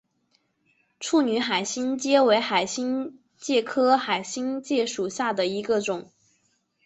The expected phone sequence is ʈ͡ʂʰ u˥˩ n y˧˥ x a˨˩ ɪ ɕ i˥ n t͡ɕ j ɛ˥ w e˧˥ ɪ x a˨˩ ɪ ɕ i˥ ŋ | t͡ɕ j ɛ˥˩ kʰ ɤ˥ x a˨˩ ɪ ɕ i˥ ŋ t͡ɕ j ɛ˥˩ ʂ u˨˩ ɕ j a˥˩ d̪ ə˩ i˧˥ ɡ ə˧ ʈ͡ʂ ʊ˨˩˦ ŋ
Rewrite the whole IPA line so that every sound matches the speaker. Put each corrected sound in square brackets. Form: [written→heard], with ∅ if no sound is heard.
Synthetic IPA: ʈ͡ʂʰ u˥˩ n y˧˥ x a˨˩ ɪ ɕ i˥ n t͡ɕ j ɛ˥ w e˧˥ ɪ x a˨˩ ɪ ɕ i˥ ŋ | t͡ɕ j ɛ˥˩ kʰ ɤ˥ x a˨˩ ɪ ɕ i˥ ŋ t͡ɕ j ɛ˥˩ ʂ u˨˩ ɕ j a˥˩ d̪ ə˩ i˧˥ ɡ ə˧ ʈ͡ʂ ʊ˨˩˦ ŋ